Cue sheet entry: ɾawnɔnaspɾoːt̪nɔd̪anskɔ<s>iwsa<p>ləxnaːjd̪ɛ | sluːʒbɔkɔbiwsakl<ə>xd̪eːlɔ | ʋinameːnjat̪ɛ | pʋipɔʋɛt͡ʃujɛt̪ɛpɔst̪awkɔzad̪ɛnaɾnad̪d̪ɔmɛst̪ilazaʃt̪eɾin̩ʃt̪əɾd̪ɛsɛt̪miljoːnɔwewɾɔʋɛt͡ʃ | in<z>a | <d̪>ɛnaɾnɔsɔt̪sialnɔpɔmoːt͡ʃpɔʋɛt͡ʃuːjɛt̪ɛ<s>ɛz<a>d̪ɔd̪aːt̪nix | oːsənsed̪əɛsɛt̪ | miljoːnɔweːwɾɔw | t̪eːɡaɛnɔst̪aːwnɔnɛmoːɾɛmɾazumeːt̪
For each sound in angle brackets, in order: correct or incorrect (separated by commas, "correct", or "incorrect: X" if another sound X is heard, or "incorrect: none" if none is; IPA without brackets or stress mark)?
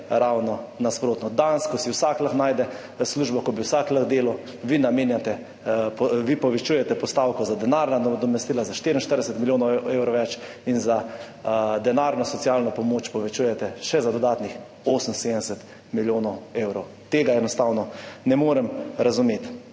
correct, incorrect: k, correct, correct, correct, incorrect: ʃ, correct